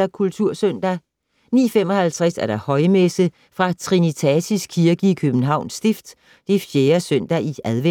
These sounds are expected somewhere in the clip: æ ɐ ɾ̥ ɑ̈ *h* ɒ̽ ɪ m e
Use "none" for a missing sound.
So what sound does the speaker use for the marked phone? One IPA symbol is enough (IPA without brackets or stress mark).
h